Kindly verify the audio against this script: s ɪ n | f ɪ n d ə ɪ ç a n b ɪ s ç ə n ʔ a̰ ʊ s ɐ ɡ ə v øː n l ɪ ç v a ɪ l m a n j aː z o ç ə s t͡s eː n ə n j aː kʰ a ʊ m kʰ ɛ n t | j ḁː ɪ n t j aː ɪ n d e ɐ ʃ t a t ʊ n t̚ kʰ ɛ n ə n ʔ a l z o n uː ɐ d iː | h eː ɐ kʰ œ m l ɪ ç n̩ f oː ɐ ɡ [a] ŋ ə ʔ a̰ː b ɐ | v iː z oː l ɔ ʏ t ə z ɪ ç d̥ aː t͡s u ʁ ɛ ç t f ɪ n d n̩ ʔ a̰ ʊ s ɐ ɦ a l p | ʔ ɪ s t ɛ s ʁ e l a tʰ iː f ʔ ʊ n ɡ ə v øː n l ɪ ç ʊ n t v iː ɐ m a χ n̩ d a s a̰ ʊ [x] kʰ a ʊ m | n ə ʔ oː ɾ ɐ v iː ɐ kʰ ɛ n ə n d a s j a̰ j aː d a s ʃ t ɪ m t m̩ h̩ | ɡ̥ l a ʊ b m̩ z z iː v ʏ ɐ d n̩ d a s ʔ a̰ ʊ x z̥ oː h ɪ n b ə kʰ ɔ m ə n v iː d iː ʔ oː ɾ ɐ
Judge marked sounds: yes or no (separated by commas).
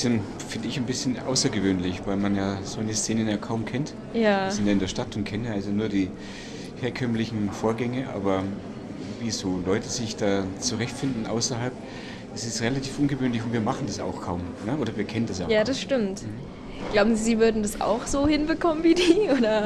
no, yes